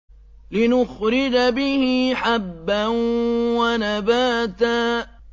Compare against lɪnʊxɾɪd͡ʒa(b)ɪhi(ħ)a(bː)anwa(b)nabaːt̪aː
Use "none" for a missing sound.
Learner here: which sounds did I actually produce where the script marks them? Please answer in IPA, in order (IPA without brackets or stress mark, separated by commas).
b, ħ, bː, none